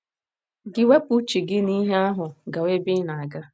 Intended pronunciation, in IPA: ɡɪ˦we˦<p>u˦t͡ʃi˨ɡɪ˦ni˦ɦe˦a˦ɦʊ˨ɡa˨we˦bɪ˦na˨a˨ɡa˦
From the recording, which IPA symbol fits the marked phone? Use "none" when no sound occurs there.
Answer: p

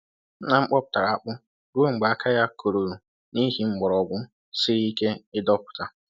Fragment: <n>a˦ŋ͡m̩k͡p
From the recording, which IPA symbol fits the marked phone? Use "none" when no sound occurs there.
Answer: n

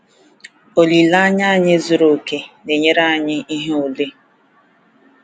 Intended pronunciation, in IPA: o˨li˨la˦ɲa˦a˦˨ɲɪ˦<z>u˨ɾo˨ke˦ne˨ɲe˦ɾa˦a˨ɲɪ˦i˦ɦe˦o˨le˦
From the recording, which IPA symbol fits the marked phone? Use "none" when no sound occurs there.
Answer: z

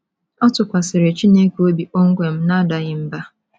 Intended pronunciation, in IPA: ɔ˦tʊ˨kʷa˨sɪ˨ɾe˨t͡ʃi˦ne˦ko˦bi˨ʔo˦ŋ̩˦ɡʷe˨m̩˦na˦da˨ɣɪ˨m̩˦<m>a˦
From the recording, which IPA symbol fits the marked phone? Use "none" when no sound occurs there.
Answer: b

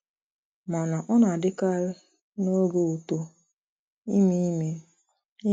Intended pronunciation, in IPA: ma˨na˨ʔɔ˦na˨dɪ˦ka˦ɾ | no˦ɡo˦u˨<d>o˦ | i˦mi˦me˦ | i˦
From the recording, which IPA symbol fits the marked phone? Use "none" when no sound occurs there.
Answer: t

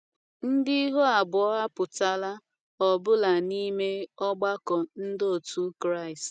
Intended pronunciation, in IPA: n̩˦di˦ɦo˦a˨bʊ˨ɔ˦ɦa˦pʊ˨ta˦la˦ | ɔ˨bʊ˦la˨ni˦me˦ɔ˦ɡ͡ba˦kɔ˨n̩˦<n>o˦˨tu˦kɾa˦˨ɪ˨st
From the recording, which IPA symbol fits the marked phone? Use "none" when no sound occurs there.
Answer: d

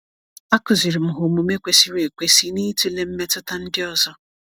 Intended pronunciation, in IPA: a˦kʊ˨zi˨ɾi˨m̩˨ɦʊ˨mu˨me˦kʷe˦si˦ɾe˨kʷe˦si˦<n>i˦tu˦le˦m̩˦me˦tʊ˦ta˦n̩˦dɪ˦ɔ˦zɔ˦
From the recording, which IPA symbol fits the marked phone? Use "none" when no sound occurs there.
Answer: n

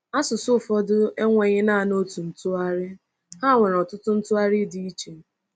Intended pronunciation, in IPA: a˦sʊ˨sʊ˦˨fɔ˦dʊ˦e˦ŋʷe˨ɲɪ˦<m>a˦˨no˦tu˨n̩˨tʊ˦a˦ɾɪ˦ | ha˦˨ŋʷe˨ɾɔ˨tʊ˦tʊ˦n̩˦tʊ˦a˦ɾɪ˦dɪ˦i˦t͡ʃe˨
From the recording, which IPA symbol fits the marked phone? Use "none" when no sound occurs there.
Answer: n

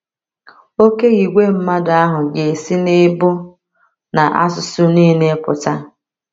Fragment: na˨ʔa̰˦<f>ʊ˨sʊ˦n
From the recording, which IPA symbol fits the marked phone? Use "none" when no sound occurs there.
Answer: s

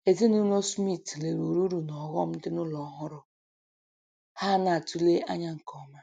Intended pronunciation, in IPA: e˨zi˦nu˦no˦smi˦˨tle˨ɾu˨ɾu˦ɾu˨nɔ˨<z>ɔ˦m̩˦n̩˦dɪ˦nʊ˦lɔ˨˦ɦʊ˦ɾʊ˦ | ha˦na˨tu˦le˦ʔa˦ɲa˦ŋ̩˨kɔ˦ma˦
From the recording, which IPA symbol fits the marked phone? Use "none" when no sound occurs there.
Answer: ɣ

